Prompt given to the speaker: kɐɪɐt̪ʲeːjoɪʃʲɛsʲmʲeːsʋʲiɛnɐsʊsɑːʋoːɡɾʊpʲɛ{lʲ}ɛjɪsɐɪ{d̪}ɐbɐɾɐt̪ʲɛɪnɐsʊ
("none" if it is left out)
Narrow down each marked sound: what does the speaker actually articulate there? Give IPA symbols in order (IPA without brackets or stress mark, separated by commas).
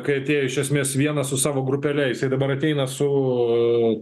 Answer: lʲ, d̪